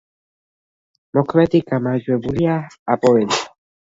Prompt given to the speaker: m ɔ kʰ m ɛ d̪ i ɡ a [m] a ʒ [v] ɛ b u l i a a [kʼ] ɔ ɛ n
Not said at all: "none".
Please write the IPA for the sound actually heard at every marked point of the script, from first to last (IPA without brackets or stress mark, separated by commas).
m, w, pʼ